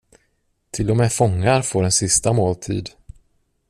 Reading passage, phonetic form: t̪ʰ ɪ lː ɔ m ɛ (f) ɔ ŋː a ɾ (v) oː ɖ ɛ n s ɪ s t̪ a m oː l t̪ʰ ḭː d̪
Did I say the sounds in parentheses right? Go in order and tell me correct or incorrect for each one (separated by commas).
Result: correct, incorrect